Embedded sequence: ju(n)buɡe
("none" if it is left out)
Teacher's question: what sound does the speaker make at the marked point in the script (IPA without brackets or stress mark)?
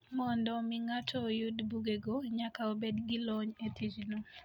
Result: d